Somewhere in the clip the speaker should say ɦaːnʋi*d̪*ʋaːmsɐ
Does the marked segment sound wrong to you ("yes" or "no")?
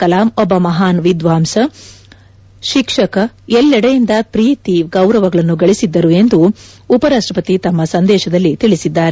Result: no